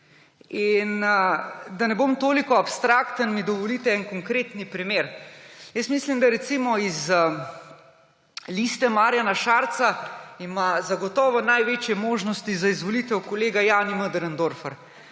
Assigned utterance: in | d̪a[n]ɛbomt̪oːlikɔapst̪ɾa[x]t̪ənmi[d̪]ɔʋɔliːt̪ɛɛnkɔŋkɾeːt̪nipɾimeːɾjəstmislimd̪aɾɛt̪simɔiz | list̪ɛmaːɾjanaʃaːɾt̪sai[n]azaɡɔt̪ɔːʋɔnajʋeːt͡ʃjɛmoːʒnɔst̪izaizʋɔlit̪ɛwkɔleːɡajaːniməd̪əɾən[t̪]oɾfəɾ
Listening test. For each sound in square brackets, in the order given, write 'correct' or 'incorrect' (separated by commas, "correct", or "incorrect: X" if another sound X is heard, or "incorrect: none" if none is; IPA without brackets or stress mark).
correct, incorrect: k, correct, incorrect: m, incorrect: d̪